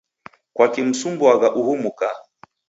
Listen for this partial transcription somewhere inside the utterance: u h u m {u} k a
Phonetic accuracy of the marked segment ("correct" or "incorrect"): correct